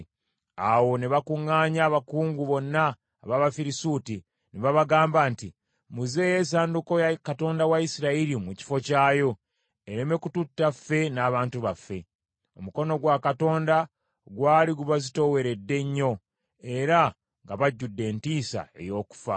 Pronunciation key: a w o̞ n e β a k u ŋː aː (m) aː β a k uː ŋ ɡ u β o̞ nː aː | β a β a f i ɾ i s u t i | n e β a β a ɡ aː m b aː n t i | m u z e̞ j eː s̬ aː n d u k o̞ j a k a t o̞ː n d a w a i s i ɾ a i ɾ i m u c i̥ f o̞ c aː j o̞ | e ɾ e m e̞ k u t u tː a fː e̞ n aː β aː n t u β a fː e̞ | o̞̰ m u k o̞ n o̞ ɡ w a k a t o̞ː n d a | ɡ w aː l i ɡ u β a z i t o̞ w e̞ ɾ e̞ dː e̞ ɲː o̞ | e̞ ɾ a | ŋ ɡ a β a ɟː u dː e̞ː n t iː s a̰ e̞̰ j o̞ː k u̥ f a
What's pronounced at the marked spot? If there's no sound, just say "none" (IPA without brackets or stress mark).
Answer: ɲ